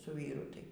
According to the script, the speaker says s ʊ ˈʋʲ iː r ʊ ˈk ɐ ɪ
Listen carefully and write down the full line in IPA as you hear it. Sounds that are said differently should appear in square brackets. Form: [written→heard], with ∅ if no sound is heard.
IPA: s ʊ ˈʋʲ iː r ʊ [ˈk→ˈt] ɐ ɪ